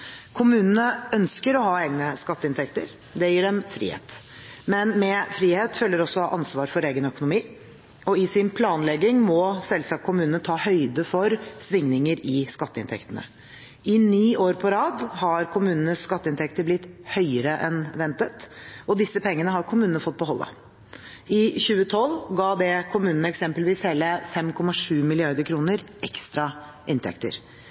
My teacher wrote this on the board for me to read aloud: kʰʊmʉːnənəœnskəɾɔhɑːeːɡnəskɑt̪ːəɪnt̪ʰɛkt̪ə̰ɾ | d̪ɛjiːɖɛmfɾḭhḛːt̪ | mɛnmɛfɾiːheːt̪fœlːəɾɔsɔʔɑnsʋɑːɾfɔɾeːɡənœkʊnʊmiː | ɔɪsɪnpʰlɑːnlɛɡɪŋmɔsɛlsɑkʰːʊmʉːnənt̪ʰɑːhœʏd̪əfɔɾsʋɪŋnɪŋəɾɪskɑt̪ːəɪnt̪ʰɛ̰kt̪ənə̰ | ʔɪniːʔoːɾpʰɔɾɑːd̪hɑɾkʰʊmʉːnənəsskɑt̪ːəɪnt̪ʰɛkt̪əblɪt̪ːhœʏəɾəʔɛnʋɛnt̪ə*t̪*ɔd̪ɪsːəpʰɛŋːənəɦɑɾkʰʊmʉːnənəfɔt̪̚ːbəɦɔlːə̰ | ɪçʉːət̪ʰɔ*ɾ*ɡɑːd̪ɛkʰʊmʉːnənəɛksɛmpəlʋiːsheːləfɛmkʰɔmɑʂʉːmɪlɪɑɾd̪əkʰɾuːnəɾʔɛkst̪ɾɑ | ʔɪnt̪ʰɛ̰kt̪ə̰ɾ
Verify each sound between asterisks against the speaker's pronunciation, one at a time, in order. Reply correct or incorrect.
correct, incorrect: l

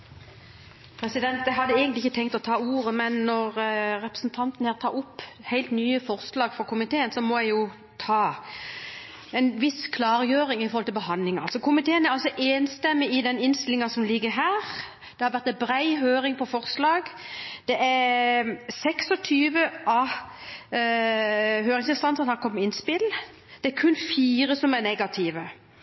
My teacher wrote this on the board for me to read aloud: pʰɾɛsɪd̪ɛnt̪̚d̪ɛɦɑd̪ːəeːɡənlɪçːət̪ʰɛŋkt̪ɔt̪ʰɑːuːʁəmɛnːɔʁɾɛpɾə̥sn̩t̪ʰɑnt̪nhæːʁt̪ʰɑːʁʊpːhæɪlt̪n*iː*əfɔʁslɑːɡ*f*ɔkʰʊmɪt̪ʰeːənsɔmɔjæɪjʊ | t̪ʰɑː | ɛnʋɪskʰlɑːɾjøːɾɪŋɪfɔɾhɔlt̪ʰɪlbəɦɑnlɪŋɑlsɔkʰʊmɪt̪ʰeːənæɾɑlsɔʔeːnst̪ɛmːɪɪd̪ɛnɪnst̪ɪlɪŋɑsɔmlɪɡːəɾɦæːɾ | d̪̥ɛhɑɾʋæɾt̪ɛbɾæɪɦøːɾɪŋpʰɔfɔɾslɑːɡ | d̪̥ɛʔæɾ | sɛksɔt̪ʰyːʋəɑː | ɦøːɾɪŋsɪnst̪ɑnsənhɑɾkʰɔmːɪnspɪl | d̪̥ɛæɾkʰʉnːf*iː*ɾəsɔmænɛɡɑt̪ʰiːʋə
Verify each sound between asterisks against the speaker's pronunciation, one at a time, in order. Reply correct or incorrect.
incorrect: yː, correct, correct

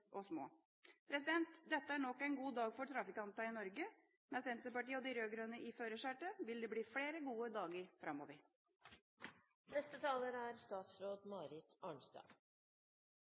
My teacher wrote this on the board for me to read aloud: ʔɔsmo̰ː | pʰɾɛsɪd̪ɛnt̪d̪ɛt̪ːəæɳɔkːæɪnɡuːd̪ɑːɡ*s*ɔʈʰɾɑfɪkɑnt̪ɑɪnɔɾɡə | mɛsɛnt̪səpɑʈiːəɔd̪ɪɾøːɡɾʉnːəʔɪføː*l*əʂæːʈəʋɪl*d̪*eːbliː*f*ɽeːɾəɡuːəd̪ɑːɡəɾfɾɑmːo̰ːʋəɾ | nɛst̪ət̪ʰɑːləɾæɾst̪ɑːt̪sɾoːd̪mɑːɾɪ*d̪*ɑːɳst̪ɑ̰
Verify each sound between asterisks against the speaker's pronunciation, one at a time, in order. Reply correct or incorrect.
incorrect: f, incorrect: ɾ, correct, correct, incorrect: t̪

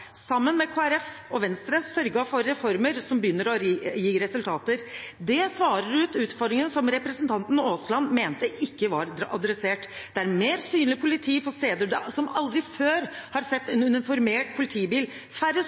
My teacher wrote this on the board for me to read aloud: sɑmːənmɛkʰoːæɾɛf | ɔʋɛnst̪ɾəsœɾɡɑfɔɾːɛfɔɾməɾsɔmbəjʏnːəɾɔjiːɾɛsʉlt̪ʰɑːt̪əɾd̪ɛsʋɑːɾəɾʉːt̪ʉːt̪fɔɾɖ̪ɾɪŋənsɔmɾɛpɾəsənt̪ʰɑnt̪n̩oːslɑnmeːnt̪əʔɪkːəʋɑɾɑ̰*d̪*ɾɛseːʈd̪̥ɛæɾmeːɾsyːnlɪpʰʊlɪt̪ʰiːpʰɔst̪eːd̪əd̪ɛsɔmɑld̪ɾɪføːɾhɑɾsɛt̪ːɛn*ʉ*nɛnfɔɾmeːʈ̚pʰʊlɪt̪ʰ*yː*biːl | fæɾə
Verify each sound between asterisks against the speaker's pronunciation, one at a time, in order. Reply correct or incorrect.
correct, correct, incorrect: iː

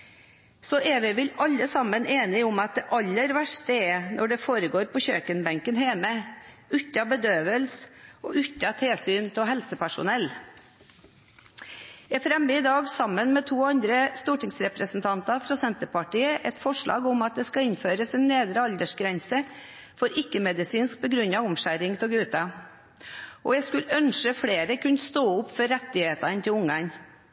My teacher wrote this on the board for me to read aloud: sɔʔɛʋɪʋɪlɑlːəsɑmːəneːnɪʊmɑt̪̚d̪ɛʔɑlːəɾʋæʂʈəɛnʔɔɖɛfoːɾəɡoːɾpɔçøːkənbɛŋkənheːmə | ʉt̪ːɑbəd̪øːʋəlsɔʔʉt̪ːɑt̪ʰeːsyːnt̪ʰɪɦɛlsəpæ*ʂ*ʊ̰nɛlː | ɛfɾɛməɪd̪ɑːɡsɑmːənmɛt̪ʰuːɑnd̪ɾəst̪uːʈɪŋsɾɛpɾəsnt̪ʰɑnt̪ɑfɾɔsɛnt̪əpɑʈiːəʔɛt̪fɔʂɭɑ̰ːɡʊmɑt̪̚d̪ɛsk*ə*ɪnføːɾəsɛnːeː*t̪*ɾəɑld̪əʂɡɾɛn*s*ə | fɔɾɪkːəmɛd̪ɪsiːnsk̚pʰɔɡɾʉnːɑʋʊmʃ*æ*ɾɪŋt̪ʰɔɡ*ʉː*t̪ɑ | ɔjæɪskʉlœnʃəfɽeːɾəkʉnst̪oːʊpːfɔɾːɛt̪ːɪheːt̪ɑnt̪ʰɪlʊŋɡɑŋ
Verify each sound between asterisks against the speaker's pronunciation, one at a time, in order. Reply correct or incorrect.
correct, incorrect: ɑ, incorrect: d̪, correct, correct, correct

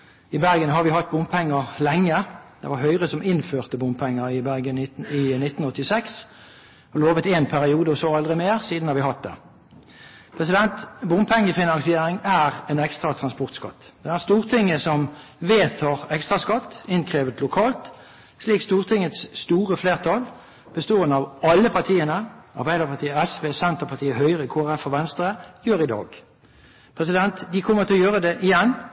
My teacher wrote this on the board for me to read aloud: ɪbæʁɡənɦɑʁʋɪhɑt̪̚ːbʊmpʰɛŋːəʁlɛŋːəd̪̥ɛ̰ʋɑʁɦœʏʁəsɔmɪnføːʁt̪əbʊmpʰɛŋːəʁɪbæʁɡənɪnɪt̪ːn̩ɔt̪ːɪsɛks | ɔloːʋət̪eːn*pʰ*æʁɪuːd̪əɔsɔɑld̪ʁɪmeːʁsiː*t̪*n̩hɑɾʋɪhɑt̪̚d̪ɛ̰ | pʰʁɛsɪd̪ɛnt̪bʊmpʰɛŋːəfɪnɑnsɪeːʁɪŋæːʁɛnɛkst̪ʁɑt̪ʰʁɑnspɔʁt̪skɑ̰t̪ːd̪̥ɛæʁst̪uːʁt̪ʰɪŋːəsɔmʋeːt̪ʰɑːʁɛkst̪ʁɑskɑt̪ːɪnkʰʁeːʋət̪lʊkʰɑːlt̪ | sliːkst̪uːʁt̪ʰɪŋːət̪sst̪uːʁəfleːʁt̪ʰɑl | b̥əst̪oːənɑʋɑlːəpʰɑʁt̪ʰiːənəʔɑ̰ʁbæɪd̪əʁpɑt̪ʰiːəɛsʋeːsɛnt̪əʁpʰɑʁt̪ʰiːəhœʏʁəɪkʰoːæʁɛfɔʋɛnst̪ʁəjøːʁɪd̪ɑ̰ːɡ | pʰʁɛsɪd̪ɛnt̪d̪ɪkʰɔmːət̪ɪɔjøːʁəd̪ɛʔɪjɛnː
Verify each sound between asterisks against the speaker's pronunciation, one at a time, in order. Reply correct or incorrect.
correct, incorrect: d̪

